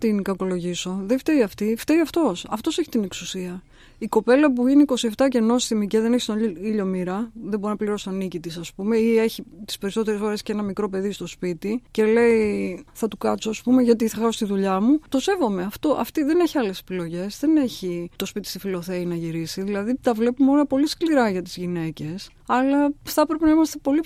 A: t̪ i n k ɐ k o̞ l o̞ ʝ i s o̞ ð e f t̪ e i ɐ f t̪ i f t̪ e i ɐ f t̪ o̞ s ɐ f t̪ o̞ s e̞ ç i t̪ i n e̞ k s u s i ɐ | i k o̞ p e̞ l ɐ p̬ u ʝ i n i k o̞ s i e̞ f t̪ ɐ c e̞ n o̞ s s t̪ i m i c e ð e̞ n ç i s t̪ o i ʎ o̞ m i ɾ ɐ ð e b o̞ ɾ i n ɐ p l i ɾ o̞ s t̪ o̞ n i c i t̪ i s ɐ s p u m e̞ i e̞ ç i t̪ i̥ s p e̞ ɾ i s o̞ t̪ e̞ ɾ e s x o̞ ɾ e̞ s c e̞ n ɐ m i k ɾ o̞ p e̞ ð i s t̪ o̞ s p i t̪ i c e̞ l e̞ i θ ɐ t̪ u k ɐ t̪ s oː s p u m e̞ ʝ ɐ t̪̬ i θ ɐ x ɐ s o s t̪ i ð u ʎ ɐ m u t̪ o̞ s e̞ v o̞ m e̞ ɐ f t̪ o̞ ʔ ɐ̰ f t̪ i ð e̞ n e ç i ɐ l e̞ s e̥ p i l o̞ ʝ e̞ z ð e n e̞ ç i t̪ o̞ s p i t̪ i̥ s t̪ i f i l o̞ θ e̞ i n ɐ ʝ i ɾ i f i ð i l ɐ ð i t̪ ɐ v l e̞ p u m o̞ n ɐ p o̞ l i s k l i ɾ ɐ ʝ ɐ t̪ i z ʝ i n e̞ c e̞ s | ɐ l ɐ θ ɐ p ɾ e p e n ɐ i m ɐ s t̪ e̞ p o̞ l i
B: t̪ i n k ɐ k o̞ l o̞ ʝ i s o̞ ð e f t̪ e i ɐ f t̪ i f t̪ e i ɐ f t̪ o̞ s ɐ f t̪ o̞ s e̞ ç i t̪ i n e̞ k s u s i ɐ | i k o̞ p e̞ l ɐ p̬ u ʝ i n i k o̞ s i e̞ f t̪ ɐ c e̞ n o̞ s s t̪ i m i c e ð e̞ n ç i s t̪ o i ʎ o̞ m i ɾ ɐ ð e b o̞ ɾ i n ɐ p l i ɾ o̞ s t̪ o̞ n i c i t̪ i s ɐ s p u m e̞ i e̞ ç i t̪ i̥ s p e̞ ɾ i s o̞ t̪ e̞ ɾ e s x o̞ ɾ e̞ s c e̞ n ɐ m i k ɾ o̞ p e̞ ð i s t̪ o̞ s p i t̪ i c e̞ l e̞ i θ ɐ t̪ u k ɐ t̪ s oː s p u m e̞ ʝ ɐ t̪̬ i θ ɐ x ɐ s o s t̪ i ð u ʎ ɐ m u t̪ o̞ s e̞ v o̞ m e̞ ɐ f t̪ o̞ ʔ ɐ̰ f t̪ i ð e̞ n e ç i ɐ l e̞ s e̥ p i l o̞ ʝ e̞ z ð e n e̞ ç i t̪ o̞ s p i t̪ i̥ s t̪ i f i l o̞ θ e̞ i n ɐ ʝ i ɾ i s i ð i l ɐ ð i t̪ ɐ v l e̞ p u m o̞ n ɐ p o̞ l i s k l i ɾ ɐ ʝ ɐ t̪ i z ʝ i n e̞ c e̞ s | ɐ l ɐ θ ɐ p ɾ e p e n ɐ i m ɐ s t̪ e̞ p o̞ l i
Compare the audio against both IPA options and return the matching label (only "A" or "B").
B